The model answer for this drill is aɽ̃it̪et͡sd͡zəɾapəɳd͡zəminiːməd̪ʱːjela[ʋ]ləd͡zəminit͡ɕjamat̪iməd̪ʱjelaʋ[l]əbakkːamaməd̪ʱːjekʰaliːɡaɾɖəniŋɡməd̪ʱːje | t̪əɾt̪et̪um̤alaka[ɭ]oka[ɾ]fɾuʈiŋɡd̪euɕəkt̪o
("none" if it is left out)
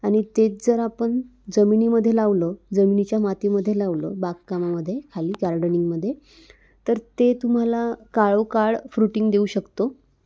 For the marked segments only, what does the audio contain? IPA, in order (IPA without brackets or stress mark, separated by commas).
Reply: ʋ, l, ɭ, ɭ